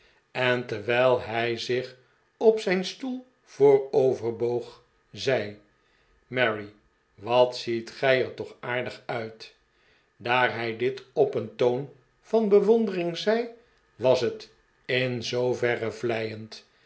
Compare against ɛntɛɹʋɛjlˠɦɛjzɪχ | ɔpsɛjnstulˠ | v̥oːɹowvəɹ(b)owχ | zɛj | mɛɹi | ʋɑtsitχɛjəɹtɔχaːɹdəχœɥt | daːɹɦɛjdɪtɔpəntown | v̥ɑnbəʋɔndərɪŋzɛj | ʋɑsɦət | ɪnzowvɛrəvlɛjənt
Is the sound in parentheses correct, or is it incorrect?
correct